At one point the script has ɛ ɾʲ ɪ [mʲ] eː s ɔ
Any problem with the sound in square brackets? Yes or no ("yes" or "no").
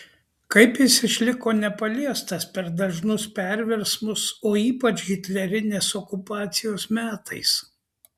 yes